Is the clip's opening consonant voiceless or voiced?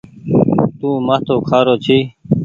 voiceless